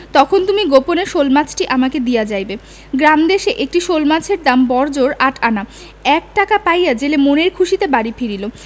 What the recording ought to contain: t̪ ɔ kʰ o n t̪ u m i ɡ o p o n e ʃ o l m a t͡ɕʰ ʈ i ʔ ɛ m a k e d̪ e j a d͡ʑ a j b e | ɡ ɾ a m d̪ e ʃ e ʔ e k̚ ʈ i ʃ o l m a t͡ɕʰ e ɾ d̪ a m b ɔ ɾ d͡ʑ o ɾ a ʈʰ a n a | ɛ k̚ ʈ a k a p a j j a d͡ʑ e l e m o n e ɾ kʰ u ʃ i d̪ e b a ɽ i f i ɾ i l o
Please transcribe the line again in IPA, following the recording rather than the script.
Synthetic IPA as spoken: t̪ ɔ kʰ o n t̪ u m i ɡ o p o n e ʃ o l m a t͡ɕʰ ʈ i ʔ a m a k e d̪ i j a d͡ʑ a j b e | ɡ ɾ a m d̪ e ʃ e ʔ e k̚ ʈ i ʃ o l m a t͡ɕʰ e ɾ d̪ a m b ɔ ɾ d͡ʑ o ɾ a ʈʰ a n a | ɛ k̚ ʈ a k a p a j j a d͡ʑ e l e m o n e ɾ kʰ u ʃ i t̪ e b a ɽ i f i ɾ i l o